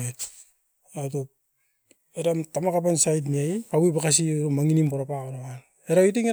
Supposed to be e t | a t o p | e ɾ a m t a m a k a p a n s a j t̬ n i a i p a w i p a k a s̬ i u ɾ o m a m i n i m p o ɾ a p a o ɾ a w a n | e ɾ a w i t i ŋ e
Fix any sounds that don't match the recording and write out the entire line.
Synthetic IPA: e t | a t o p | e ɾ a m t a m a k a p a n s a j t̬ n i a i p a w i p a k a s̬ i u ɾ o m a ŋ i n i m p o ɾ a p a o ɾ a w a n | e ɾ a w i t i ŋ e